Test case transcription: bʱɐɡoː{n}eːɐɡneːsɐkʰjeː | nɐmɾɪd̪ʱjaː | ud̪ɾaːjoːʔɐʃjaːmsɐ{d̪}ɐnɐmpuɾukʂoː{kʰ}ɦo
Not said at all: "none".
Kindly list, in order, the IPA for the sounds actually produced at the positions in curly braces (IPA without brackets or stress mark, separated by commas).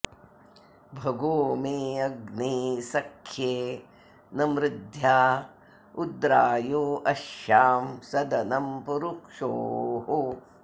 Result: m, d̪, none